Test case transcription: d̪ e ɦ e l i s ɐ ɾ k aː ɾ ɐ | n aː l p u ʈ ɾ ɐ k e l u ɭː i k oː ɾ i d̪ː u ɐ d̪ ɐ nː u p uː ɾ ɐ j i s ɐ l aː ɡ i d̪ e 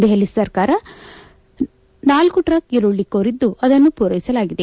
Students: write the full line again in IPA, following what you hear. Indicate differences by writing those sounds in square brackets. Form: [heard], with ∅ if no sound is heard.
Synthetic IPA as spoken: d̪ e ɦ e l i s ɐ ɾ k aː ɾ ɐ | n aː l [k] u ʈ ɾ ɐ k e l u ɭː i k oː ɾ i d̪ː u ɐ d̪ ɐ nː u p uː ɾ ɐ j i s ɐ l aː ɡ i d̪ e

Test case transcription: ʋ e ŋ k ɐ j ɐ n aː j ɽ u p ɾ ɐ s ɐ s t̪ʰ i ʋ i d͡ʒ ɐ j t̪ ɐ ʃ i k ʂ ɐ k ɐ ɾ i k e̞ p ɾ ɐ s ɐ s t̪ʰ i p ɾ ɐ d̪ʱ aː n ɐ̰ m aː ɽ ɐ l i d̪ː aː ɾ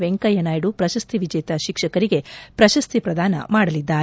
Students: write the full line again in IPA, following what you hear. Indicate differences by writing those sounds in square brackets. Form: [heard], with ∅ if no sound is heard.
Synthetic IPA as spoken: ʋ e ŋ k ɐ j ɐ n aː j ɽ u p ɾ ɐ [ʃ] ɐ s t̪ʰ i ʋ i d͡ʒ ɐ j t̪ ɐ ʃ i k ʂ ɐ k ɐ ɾ i [ɡ] e̞ p ɾ ɐ [ʃ] ɐ s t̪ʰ i p ɾ ɐ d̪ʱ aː n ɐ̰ m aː ɽ ɐ l i d̪ː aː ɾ

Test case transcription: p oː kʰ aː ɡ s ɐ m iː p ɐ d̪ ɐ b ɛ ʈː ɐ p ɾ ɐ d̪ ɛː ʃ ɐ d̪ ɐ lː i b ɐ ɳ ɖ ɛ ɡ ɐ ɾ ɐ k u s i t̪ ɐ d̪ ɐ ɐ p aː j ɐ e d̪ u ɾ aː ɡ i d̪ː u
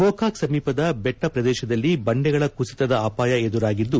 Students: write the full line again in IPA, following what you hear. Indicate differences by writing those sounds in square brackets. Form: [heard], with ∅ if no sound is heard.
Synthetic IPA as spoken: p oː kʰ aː [k] s ɐ m iː p ɐ d̪ ɐ b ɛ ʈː ɐ p ɾ ɐ d̪ ɛː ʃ ɐ d̪ ɐ lː i b ɐ ɳ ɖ ɛ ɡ ɐ [ɭ] ɐ k u s i t̪ ɐ d̪ ɐ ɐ p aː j ɐ e d̪ u ɾ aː ɡ i d̪ː u

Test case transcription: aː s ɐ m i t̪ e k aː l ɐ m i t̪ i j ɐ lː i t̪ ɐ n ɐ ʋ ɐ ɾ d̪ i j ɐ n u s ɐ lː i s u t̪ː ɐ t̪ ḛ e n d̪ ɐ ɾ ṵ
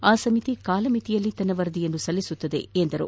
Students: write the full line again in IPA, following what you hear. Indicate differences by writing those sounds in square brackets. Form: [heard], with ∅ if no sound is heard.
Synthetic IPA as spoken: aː s ɐ m i t̪ [i] k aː l ɐ m i t̪ i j ɐ lː i t̪ ɐ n ɐ ʋ ɐ ɾ d̪ i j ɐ [nː] u s ɐ lː i s u t̪ː ɐ [d̪] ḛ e n d̪ ɐ ɾ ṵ

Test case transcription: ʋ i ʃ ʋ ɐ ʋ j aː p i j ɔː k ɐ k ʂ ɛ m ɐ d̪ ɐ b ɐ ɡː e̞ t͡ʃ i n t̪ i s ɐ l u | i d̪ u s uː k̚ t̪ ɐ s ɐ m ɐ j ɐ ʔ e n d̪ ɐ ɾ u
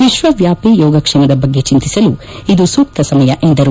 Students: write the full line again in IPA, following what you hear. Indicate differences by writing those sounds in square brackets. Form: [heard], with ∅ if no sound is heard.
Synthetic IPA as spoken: ʋ i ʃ ʋ ɐ ʋ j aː p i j ɔː [ɡ] ɐ k ʂ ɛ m ɐ d̪ ɐ b ɐ ɡː e̞ t͡ʃ i n t̪ i s ɐ l u | i d̪ u s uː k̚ t̪ ɐ s ɐ m ɐ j ɐ ʔ e n d̪ ɐ ɾ u

